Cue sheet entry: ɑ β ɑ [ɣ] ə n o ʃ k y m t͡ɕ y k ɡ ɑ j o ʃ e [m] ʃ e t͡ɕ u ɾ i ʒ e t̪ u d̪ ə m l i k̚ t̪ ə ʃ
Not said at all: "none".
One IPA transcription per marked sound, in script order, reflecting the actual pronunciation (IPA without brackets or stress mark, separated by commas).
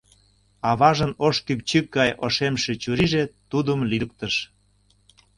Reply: ʒ, m